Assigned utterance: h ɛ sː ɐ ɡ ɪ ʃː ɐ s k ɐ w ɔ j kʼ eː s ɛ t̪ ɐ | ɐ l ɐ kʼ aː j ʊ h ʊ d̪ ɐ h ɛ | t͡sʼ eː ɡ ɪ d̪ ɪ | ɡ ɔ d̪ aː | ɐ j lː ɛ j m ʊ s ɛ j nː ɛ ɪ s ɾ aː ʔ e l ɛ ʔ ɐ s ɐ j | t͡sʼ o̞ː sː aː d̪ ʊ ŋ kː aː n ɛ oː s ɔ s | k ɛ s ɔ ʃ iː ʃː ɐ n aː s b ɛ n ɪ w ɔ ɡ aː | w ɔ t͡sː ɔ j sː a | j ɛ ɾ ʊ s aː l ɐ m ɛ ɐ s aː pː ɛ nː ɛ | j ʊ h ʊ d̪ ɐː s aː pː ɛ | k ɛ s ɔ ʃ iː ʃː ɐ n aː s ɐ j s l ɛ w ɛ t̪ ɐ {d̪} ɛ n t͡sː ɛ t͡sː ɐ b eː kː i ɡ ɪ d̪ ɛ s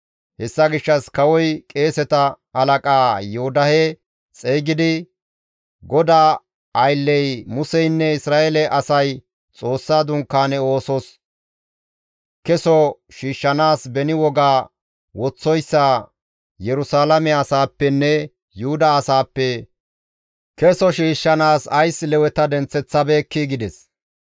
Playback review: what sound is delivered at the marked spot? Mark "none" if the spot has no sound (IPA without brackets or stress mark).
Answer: d̪